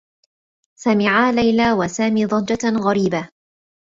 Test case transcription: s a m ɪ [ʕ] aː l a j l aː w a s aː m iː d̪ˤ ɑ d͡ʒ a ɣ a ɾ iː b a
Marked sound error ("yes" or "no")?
no